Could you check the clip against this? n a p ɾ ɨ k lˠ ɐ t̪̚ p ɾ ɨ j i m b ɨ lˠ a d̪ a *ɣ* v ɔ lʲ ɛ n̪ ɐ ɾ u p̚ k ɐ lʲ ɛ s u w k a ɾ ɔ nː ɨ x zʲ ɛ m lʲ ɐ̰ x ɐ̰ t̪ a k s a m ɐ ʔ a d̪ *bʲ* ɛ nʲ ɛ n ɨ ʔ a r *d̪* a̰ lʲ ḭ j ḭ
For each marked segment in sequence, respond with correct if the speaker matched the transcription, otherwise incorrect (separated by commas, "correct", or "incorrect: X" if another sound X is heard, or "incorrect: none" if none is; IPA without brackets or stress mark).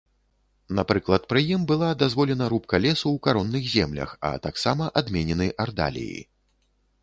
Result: incorrect: z, incorrect: mʲ, correct